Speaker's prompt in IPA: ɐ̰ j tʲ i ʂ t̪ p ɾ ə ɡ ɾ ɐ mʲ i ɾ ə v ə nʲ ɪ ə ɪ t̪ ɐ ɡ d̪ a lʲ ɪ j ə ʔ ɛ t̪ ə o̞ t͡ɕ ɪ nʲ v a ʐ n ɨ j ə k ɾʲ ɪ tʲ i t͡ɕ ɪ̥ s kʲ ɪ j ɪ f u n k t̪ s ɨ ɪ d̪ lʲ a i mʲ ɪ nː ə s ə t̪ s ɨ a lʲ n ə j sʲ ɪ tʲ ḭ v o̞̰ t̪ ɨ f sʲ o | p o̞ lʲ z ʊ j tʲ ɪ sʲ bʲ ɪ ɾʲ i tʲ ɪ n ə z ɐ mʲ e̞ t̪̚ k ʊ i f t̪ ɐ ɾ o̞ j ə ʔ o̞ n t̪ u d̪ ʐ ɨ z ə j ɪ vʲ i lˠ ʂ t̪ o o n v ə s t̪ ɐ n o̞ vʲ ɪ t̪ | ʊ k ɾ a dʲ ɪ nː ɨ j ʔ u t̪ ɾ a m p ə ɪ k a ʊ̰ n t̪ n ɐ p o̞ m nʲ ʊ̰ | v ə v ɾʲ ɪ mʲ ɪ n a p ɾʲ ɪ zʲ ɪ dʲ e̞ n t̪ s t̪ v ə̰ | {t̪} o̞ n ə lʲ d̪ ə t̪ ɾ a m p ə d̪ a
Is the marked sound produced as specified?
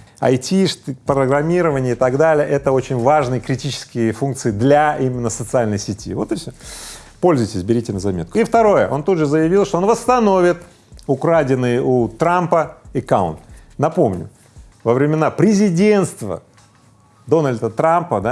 no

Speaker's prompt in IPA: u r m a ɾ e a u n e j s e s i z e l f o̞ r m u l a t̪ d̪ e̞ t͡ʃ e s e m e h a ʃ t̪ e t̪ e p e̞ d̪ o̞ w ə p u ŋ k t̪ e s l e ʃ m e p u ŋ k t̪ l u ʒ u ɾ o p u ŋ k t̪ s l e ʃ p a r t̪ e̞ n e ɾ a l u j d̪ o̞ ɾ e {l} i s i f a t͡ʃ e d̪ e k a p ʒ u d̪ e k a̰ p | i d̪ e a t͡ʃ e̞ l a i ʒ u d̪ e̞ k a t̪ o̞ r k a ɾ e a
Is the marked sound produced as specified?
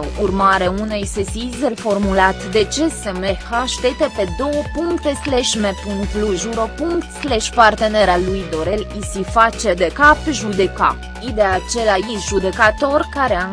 yes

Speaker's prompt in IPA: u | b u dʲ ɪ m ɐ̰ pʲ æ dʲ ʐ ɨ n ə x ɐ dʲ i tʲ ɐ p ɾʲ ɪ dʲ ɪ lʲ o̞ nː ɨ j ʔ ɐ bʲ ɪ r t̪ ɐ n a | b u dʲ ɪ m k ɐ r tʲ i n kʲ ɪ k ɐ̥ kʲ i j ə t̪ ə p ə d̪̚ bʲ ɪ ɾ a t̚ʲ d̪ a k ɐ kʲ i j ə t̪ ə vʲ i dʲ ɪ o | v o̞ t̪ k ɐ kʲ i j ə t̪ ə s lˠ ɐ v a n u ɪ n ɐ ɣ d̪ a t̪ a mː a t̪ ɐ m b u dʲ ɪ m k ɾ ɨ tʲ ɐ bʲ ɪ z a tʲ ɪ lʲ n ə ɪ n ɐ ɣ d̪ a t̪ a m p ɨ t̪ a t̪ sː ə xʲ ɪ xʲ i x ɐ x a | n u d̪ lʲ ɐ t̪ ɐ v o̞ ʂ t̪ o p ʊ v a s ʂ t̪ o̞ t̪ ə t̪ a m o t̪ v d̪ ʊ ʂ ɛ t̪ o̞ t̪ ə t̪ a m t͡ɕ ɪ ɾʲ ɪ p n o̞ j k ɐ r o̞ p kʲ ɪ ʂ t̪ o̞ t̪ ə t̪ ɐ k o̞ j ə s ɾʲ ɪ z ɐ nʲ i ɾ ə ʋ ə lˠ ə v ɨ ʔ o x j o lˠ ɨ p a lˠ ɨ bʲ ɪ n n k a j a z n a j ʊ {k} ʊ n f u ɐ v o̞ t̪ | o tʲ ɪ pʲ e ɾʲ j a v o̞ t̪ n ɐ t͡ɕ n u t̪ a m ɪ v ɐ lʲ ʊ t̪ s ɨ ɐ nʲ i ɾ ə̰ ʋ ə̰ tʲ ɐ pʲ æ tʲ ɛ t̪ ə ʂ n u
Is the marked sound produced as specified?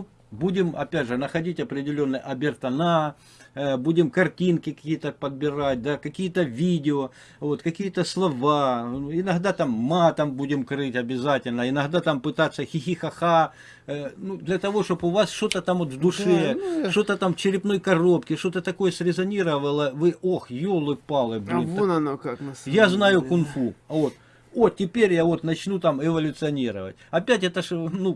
yes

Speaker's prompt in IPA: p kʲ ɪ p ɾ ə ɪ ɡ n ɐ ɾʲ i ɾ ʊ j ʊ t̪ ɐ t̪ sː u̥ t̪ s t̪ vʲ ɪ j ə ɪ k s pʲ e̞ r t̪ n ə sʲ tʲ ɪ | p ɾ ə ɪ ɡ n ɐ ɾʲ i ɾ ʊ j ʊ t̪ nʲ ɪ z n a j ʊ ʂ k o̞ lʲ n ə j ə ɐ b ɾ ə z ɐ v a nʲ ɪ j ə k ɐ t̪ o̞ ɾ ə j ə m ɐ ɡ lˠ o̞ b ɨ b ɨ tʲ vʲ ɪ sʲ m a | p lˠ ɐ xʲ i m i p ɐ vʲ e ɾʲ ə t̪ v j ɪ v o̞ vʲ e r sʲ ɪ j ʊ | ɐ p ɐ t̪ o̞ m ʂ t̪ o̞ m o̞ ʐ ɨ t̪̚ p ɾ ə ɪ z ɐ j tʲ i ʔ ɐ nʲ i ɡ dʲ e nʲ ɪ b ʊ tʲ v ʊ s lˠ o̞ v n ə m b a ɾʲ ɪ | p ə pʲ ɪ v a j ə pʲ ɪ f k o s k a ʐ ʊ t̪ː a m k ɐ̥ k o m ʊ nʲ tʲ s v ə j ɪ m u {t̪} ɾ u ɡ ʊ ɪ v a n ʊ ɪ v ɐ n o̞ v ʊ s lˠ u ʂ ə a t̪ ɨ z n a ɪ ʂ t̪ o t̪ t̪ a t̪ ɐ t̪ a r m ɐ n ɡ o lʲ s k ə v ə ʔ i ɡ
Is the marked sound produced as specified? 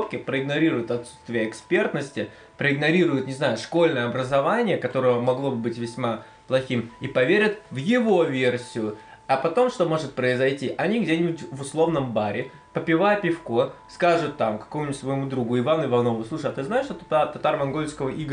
no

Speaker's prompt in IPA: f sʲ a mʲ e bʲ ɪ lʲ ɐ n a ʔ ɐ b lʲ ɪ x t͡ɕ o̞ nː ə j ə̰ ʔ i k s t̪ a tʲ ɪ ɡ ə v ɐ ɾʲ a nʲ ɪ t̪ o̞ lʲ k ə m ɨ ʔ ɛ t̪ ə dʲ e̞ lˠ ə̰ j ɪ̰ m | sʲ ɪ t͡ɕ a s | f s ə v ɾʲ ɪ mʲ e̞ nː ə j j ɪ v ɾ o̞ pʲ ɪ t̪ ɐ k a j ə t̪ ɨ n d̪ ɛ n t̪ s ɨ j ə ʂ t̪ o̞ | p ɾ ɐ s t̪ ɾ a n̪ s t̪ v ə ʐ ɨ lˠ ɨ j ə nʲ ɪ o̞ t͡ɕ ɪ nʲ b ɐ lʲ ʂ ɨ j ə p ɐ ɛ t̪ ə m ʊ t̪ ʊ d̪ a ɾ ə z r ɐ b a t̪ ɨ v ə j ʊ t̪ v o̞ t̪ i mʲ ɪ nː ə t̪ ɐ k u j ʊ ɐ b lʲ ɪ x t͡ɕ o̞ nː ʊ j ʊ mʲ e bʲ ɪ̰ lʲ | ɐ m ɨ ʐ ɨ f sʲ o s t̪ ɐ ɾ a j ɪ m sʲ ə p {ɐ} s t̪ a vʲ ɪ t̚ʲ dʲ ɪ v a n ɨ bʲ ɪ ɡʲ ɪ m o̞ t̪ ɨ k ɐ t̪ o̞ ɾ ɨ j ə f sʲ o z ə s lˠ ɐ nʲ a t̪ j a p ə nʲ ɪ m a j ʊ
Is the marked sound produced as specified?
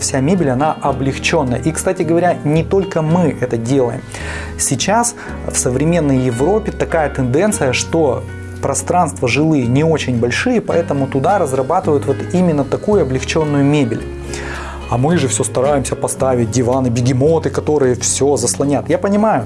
yes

